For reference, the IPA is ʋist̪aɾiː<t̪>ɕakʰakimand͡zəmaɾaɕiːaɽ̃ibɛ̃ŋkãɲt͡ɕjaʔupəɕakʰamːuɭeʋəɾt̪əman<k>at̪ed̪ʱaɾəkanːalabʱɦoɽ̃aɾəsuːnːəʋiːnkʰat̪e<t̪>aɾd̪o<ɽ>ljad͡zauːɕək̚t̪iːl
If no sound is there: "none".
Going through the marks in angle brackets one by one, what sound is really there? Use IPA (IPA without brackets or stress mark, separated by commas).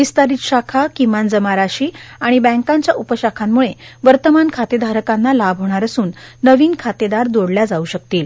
t̪, kʰ, d̪, ɽ